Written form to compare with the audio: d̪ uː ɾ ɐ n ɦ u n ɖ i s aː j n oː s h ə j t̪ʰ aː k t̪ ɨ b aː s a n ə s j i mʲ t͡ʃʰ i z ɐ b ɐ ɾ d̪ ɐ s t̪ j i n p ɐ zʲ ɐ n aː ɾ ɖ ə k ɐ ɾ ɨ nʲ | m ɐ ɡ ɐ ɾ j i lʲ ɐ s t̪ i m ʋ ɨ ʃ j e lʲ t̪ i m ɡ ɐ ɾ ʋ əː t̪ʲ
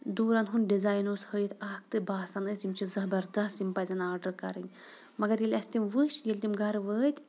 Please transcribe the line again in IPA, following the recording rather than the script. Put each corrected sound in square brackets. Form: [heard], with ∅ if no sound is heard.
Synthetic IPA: d̪ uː ɾ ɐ n ɦ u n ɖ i [z] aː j n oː s h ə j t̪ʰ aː k t̪ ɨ b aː s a n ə s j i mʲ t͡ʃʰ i z ɐ b ɐ ɾ d̪ ɐ s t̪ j i [m] p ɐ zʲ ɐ n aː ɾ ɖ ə k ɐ ɾ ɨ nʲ | m ɐ ɡ ɐ ɾ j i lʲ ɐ s t̪ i m ʋ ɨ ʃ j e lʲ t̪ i m ɡ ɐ ɾ ʋ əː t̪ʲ